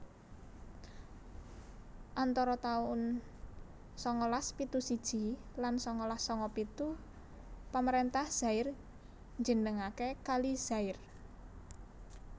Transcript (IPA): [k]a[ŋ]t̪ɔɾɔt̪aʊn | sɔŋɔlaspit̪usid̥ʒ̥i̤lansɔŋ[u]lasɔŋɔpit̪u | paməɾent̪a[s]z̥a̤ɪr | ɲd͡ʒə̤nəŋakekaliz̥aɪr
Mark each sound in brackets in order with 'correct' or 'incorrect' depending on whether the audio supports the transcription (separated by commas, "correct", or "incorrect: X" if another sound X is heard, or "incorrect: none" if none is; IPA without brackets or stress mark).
incorrect: ʔ, incorrect: n, incorrect: ɔ, incorrect: h